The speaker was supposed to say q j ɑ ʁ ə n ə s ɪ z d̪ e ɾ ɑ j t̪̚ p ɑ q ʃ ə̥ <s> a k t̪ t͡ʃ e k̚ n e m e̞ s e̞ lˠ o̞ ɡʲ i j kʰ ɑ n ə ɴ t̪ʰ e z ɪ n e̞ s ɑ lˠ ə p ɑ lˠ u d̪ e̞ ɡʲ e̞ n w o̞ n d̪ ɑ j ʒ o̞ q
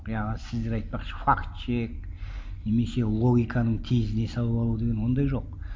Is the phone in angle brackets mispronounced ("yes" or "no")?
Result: yes